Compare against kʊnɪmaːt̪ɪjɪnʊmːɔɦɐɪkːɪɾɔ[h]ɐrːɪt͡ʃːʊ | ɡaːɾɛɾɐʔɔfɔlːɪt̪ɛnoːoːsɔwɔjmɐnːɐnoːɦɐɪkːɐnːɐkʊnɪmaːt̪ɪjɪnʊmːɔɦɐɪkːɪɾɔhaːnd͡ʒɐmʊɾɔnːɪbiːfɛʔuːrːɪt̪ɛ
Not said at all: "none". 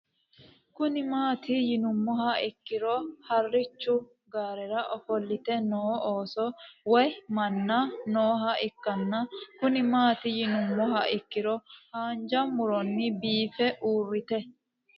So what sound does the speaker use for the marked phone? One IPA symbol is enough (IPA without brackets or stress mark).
h